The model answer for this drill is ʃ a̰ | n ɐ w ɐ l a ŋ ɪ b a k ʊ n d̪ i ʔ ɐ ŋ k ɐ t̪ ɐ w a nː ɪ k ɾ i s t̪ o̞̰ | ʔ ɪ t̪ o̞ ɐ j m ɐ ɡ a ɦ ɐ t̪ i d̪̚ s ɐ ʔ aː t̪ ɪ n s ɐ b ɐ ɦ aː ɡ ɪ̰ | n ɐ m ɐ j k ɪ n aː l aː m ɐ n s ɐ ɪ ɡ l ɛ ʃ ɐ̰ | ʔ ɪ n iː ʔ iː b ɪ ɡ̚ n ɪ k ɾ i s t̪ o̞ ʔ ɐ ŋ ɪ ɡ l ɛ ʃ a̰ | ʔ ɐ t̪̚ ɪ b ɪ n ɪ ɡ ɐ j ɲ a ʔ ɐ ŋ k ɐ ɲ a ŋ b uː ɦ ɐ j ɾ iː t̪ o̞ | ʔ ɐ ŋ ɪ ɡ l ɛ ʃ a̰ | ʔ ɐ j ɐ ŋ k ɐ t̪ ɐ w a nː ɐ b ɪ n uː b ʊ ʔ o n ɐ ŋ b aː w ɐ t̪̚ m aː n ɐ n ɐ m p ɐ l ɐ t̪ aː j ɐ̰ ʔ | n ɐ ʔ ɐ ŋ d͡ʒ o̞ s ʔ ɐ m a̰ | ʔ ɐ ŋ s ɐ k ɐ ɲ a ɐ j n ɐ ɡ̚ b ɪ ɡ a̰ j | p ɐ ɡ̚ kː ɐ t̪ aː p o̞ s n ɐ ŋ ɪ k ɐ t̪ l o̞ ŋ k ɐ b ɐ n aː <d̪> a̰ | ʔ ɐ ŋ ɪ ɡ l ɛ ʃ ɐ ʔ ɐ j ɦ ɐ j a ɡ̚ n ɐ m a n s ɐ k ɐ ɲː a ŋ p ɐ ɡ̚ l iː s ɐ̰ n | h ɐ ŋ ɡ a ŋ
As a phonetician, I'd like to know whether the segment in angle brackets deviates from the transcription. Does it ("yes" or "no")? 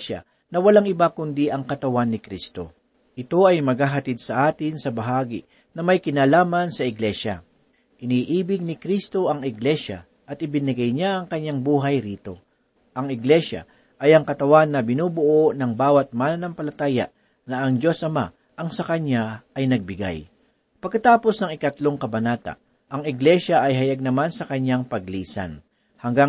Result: yes